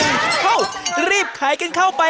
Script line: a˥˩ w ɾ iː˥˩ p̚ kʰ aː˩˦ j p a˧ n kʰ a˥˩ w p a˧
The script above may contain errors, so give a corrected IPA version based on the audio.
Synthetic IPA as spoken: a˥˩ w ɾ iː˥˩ p̚ kʰ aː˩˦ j k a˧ n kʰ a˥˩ w p a˧